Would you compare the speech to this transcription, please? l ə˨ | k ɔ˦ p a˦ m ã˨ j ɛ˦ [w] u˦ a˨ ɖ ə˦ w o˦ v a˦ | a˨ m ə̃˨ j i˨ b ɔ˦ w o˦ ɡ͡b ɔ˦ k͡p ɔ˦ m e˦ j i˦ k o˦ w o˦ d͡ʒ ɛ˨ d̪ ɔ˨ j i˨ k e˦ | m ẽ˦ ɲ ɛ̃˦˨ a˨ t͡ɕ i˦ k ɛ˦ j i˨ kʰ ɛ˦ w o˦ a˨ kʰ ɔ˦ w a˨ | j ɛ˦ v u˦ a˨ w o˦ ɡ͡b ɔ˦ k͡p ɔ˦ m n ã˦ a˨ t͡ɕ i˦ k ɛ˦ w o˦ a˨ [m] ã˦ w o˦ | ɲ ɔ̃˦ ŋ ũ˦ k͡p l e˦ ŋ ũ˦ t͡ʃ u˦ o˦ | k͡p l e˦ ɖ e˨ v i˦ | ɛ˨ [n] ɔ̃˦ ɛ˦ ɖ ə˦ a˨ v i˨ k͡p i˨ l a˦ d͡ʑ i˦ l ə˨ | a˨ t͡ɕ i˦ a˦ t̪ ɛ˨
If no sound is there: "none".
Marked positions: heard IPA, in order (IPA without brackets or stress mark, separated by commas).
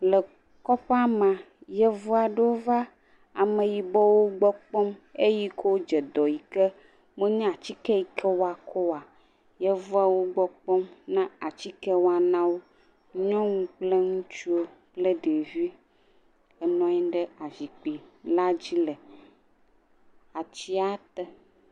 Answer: v, n, n